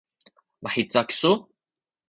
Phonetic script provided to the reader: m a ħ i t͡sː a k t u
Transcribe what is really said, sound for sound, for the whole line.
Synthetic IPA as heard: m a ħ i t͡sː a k s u